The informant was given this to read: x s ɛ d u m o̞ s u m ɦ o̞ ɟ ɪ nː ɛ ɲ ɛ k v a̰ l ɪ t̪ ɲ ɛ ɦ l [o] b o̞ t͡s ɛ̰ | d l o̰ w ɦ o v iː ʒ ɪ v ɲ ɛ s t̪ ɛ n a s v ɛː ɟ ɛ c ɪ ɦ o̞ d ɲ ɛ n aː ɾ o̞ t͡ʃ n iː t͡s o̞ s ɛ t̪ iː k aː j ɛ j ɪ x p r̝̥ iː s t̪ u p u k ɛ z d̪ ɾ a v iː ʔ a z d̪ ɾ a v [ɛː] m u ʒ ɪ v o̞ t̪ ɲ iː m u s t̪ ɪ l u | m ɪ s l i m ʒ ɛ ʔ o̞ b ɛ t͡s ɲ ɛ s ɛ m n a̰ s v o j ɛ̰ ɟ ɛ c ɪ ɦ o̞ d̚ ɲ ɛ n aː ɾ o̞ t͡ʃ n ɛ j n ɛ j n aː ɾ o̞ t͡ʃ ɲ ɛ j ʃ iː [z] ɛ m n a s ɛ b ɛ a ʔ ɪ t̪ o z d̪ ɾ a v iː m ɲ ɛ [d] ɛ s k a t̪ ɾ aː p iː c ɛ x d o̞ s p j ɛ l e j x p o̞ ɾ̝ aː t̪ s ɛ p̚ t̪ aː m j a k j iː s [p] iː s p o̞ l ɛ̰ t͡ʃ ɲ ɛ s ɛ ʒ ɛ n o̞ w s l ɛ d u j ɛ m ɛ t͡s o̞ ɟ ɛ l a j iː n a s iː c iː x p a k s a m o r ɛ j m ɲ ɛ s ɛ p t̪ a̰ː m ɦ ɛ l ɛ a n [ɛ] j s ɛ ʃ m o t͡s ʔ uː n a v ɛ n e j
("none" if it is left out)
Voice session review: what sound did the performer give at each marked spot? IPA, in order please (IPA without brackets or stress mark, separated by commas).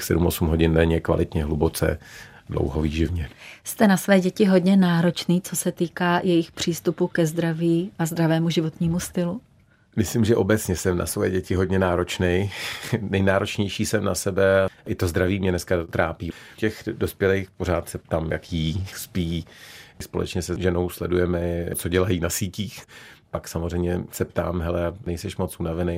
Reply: u, ɛː, s, n, p, ɛ